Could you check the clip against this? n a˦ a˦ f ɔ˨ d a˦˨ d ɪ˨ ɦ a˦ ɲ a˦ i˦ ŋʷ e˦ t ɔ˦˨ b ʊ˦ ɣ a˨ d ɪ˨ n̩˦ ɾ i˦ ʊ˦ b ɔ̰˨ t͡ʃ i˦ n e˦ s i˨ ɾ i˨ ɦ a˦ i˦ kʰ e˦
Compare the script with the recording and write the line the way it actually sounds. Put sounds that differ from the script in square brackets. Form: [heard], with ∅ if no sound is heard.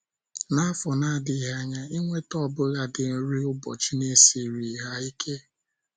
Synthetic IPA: n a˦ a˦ f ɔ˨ [n] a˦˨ d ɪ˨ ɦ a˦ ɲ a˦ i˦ ŋʷ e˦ t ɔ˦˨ b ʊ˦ ɣ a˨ d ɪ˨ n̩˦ ɾ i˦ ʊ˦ b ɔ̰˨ t͡ʃ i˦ n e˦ s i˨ ɾ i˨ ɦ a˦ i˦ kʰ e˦